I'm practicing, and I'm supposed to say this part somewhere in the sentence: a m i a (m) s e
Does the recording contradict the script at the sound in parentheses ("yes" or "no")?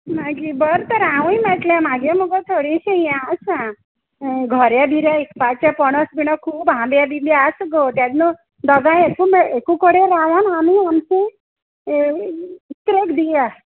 no